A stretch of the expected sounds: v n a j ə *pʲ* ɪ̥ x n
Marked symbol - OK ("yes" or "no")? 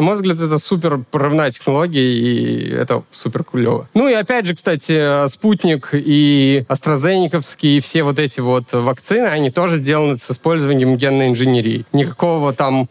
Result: no